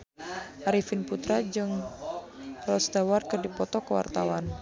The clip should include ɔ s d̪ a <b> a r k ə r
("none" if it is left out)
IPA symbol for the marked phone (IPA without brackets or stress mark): w